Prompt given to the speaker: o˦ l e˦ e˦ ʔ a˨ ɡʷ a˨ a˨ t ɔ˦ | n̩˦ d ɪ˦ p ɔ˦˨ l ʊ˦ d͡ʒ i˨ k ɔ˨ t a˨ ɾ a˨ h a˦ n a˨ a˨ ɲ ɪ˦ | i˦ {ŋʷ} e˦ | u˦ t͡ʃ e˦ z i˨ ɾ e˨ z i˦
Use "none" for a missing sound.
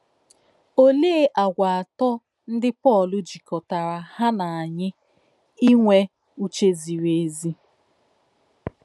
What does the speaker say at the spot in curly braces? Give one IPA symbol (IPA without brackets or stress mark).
ŋʷ